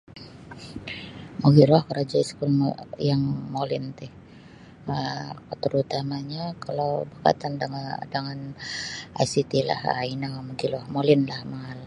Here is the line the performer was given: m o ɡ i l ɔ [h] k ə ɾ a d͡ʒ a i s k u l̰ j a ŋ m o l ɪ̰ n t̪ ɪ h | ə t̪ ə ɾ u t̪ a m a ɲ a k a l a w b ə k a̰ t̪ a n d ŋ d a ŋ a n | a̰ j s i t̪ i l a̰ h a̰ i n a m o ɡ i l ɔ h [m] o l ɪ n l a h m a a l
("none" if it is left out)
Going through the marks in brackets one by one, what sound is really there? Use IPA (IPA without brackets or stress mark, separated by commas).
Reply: h, m